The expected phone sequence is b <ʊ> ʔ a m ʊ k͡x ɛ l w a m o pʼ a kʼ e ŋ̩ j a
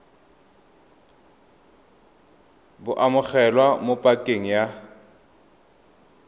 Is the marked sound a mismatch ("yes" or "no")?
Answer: no